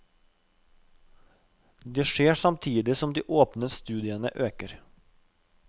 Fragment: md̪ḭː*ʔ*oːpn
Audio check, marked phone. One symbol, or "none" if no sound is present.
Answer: ʔ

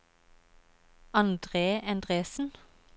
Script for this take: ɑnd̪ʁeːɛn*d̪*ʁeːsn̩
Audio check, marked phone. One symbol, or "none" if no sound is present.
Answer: d̪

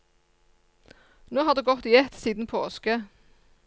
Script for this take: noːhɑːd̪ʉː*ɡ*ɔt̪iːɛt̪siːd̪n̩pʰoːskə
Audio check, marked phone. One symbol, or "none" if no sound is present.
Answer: ɡ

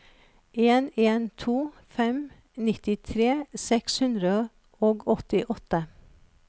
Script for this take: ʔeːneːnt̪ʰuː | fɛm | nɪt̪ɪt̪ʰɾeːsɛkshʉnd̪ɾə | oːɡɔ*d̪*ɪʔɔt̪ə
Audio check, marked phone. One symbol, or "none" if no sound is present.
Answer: t̪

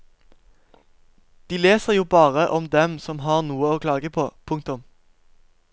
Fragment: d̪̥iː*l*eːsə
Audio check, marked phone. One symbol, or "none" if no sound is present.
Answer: l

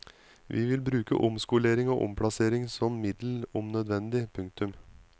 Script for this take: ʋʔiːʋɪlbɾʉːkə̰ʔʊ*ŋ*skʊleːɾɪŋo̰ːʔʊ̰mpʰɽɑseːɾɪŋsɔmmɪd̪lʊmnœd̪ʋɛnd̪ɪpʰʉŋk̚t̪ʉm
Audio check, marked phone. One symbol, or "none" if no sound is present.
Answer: m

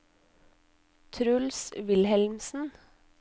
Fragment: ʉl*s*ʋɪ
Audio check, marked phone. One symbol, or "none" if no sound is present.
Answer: s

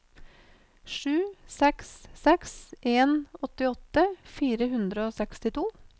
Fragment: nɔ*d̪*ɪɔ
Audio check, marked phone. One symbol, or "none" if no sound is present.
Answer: t̪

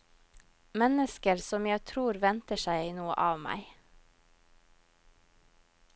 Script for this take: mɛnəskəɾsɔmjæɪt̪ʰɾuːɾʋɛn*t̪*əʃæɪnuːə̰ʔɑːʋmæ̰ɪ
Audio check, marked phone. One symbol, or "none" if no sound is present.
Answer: t̪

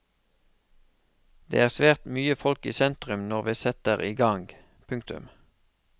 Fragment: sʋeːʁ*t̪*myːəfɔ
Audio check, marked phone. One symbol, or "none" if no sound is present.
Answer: t̪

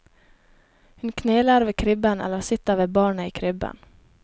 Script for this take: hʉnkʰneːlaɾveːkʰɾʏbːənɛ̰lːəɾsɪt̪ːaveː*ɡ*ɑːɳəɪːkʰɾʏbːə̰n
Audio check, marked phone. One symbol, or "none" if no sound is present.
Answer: b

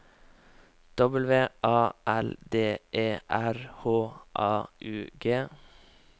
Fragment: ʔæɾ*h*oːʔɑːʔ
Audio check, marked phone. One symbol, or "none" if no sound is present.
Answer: h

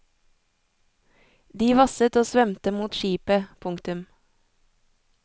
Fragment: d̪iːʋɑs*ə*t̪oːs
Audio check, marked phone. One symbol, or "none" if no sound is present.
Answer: ə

